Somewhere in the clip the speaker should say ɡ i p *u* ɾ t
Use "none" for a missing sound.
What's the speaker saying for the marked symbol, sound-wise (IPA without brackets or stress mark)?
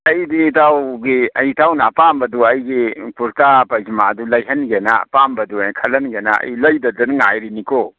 u